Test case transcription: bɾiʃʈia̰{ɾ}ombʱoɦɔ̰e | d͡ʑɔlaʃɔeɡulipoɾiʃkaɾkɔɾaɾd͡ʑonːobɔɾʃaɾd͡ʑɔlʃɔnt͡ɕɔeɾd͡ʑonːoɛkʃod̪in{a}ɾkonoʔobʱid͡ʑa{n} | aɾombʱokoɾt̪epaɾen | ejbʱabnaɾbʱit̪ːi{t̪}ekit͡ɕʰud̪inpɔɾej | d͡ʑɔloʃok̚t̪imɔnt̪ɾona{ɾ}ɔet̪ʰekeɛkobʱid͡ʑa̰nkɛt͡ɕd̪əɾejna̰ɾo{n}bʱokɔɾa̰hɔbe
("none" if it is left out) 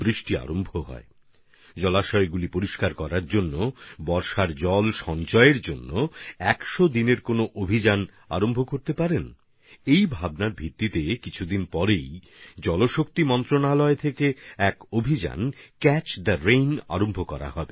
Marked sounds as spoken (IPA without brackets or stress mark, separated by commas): ɾ, e, n, t̪, l, m